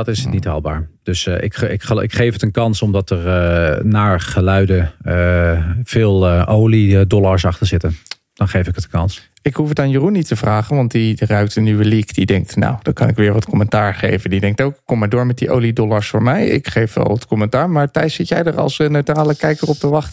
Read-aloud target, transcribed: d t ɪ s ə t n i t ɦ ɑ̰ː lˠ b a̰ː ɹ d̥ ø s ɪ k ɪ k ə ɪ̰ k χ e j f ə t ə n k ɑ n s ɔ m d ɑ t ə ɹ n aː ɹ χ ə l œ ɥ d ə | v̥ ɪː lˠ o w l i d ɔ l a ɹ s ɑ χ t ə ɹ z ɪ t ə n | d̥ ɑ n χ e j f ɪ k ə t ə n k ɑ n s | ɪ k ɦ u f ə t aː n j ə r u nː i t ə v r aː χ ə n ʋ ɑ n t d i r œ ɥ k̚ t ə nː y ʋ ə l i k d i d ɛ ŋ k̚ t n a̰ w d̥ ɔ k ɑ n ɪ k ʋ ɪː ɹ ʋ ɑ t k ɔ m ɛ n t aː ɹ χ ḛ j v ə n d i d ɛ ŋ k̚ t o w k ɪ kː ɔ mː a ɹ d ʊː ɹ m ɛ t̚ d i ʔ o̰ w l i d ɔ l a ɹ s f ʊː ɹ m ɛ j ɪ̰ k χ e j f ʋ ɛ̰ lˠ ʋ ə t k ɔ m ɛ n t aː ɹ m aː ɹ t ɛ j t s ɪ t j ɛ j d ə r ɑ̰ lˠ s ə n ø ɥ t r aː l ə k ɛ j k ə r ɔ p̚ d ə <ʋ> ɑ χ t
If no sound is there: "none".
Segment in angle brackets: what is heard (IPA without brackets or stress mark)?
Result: ʋ